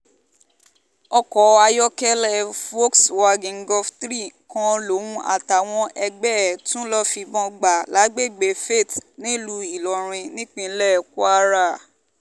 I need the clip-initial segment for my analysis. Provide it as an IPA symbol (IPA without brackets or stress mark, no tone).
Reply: ɔ